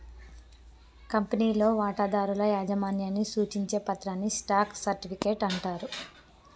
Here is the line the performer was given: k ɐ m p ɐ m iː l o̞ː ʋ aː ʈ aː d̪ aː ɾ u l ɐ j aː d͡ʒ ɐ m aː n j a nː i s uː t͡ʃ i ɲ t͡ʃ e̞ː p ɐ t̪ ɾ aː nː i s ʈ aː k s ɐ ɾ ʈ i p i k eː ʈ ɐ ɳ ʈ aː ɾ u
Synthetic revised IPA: k ɐ m p ɐ n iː l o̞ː ʋ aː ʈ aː d̪ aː ɾ u l ɐ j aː d͡ʒ ɐ m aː n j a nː i s uː t͡ʃ i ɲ t͡ʃ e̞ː p ɐ t̪ ɾ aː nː i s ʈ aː k s ɐ ɾ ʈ i p i k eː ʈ ɐ ɳ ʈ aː ɾ u